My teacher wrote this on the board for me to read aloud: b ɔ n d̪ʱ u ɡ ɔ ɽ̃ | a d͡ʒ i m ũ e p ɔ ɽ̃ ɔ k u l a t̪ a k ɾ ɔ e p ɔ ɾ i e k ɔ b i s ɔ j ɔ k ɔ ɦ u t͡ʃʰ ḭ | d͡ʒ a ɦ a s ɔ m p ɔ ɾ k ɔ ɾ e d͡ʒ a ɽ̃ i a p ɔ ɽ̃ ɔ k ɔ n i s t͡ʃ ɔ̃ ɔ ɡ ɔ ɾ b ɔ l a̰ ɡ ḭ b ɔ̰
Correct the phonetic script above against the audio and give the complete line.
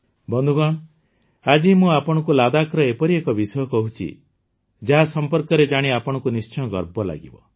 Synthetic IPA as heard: b ɔ n d̪ʱ u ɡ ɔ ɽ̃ | a d͡ʒ i m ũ a p ɔ ɽ̃ ɔ k u l a d̪ a k ɾ ɔ e p ɔ ɾ i e k ɔ b i s ɔ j ɔ k ɔ ɦ u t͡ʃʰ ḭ | d͡ʒ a ɦ a s ɔ m p ɔ ɾ k ɔ ɾ e d͡ʒ a ɽ̃ i a p ɔ ɽ̃ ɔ k u n i s t͡ʃ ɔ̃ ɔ ɡ ɔ ɾ b ɔ l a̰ ɡ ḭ b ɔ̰